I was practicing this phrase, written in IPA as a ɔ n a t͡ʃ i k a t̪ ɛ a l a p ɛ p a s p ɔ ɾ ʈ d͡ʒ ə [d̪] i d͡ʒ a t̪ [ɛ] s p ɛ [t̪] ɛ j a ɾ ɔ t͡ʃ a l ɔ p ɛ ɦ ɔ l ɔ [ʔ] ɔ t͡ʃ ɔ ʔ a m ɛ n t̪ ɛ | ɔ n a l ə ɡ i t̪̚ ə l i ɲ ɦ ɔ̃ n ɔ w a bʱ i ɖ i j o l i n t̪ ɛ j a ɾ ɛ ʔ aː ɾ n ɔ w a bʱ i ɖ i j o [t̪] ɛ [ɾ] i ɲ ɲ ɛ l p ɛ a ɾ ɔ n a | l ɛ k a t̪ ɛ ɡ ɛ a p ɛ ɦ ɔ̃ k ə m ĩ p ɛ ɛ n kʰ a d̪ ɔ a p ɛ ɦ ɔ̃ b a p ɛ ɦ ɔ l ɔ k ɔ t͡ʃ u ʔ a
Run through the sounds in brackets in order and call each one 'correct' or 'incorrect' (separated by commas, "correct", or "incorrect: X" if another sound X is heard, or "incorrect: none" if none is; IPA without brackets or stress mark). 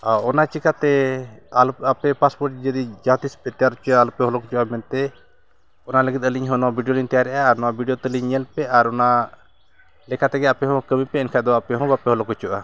correct, incorrect: i, correct, incorrect: k, correct, incorrect: l